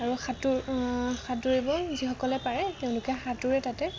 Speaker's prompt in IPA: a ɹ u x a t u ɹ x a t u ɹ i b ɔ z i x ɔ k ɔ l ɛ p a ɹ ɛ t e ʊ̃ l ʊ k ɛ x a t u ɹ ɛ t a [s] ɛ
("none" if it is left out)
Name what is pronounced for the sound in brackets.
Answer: t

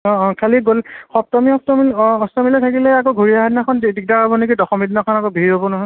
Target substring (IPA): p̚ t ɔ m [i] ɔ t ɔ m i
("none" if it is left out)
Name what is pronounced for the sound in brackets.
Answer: i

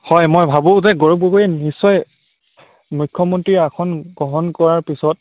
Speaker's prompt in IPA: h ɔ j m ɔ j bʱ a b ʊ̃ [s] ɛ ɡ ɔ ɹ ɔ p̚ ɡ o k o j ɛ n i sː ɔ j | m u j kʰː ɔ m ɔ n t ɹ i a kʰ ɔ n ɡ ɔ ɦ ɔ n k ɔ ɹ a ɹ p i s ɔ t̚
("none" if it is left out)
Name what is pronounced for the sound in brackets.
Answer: z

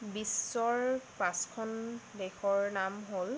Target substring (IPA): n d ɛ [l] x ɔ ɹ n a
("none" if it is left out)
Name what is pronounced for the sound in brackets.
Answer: none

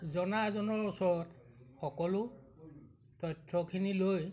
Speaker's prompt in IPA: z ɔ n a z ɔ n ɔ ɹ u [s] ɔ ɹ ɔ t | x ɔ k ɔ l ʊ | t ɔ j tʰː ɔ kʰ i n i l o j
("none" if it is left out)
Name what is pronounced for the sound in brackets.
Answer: s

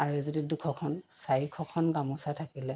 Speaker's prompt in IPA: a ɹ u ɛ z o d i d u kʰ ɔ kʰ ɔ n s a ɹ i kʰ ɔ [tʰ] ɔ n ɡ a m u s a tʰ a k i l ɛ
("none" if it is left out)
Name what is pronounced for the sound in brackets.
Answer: kʰ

